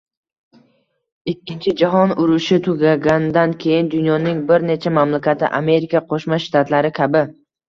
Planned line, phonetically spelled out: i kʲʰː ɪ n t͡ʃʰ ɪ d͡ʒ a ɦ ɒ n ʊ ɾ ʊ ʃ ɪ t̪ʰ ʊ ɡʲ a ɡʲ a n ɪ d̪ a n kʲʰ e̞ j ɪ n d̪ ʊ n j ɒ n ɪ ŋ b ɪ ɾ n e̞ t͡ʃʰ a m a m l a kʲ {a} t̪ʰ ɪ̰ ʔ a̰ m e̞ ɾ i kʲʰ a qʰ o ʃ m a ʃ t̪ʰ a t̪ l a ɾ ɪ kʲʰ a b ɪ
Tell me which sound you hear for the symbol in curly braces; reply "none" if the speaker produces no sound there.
a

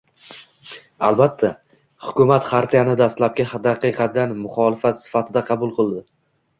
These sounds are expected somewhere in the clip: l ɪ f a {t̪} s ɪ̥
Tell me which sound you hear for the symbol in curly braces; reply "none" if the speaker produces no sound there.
t̪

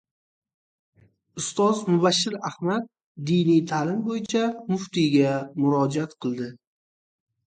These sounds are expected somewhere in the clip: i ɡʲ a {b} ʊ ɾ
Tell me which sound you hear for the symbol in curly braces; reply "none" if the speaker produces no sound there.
m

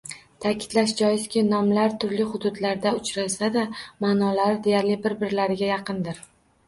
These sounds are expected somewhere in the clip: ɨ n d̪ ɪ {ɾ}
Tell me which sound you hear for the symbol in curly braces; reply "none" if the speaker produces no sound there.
ɾ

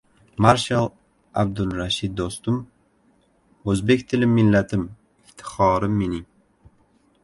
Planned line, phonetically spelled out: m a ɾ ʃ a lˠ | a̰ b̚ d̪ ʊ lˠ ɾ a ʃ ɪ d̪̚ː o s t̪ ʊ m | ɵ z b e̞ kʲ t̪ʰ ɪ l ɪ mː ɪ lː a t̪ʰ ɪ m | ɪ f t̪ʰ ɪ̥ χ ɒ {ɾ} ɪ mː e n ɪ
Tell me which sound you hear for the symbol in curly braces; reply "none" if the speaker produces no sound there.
ɾ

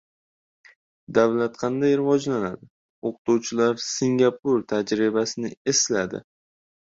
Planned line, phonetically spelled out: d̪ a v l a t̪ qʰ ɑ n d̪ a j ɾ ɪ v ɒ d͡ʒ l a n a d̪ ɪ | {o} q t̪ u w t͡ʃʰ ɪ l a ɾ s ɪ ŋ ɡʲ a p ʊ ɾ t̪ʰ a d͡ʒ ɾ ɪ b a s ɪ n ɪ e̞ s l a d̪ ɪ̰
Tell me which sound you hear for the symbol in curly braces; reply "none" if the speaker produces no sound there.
o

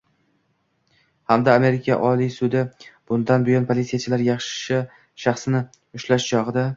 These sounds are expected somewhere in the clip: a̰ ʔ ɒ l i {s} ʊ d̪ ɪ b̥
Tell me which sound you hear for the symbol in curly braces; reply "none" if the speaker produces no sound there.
s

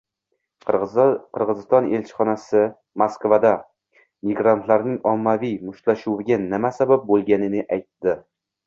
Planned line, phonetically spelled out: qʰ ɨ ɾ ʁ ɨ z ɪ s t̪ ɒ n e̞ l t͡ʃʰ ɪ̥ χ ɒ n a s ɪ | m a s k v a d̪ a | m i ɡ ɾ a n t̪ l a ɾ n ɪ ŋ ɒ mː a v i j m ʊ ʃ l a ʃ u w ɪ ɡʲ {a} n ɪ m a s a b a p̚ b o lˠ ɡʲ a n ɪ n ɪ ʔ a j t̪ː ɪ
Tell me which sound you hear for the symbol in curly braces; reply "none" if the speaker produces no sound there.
a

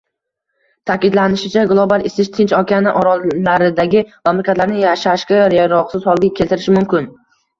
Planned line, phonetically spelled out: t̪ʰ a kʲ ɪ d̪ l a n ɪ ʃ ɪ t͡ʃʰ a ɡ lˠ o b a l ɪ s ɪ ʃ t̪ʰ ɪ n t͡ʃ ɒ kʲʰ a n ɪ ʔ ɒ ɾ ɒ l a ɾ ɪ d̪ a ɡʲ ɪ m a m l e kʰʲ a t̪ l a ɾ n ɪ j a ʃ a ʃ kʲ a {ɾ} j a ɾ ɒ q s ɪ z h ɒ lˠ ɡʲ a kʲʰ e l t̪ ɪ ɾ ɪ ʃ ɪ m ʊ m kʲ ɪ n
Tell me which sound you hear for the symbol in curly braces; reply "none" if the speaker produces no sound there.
ɾ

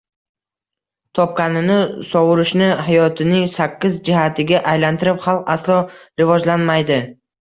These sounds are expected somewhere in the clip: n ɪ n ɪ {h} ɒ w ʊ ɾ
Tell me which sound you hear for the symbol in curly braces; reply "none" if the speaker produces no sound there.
s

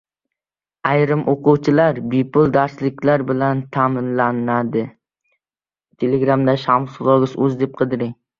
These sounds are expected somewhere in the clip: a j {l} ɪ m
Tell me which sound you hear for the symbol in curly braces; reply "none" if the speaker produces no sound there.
ɾ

